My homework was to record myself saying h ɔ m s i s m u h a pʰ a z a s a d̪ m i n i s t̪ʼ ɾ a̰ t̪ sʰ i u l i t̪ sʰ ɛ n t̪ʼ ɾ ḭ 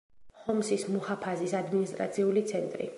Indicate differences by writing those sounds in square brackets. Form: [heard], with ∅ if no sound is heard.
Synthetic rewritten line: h ɔ m s i s m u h a pʰ a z [i] s a d̪ m i n i s t̪ʼ ɾ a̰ t̪ sʰ i u l i t̪ sʰ ɛ n t̪ʼ ɾ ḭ